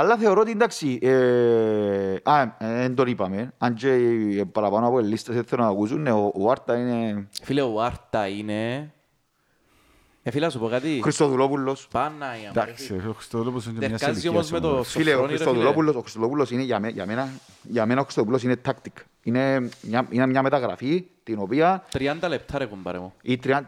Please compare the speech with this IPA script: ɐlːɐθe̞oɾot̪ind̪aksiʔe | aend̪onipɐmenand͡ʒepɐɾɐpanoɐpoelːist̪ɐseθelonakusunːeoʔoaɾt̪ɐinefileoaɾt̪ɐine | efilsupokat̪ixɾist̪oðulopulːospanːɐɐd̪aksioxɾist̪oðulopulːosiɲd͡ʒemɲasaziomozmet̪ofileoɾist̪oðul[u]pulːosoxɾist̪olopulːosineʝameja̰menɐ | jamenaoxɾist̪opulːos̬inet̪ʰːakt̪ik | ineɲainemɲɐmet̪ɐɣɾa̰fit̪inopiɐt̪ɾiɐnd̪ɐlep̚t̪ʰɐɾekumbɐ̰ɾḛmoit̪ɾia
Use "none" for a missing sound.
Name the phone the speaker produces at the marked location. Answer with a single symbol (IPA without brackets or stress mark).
o